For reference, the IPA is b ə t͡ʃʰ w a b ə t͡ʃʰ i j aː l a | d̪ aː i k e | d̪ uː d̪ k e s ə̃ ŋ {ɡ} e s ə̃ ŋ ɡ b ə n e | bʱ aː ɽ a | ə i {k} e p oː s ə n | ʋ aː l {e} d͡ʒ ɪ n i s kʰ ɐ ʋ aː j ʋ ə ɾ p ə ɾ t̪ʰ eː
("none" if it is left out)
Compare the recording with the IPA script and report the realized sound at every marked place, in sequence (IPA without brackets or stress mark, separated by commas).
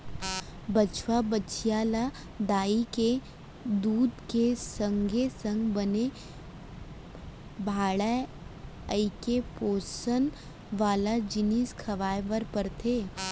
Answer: ɡ, k, a